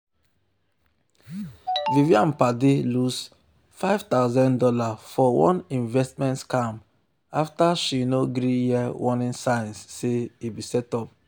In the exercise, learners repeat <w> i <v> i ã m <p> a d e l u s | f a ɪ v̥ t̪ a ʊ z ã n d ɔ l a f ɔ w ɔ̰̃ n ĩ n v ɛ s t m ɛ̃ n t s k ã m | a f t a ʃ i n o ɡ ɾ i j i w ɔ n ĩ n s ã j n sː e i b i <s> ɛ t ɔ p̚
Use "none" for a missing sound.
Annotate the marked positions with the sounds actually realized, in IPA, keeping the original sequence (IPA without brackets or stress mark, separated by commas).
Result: v, v, p, s